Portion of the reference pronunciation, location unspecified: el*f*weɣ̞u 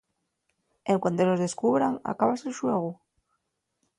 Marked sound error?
yes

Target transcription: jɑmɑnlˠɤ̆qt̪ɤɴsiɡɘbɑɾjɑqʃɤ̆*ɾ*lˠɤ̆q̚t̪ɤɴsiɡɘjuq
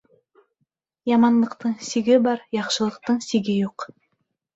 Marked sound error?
yes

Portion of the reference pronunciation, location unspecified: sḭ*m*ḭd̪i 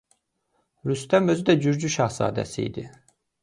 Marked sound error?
yes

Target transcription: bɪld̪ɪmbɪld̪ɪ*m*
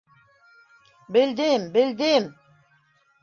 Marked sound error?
no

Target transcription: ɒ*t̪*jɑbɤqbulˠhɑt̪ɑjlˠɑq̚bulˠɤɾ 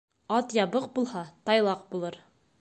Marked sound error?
no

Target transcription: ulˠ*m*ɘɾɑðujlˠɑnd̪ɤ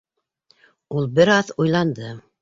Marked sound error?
yes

